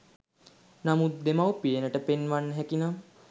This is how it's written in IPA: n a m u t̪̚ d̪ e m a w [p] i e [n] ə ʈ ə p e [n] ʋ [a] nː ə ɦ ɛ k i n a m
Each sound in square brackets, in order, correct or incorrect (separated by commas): correct, correct, correct, correct